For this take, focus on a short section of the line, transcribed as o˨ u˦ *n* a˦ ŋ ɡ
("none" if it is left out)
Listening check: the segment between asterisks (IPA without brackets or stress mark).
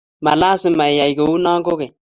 n